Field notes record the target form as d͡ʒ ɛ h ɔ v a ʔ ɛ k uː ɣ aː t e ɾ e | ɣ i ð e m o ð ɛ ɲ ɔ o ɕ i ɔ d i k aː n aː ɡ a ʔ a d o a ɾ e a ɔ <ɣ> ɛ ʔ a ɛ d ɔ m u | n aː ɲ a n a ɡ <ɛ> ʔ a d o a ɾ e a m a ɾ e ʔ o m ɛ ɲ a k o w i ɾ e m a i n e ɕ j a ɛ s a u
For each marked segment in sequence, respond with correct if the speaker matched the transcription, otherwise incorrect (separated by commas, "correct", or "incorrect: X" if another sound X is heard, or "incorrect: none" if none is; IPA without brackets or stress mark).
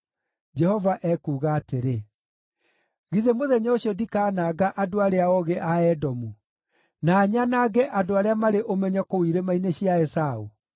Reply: correct, correct